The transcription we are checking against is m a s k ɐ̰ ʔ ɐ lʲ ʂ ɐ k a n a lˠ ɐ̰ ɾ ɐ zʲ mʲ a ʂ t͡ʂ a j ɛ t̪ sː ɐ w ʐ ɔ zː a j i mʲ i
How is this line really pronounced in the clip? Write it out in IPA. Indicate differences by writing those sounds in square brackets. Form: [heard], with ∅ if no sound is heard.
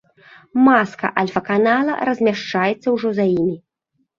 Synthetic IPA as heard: m a s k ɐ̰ ʔ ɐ lʲ [f] ɐ k a n a lˠ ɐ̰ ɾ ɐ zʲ mʲ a ʂ t͡ʂ a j ɛ t̪ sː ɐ w ʐ ɔ [z] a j i mʲ i